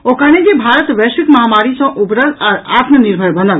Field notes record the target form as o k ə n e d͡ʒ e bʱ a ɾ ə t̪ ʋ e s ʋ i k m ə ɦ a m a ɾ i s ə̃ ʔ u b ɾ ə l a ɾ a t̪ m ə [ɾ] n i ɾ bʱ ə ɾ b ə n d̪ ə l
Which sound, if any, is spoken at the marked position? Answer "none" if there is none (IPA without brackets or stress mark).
none